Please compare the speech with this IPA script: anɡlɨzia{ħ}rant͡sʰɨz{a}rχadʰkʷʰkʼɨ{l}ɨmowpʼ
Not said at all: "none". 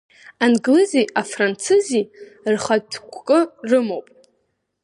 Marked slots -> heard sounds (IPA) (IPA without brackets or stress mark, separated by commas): f, i, r